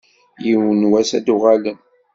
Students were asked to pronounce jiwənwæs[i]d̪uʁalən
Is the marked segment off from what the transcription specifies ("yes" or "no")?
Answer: yes